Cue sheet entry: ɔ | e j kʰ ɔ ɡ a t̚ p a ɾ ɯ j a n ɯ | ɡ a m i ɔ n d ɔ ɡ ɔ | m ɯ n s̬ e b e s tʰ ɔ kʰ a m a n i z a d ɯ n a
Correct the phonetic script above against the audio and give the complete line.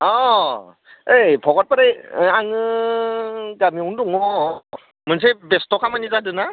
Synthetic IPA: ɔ | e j pʰ ɔ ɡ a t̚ p a ɾ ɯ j a ŋ ɯ | ɡ a m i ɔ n d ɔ ŋ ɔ | m ɯ n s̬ e b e s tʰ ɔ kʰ a m a n i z a d ɯ n a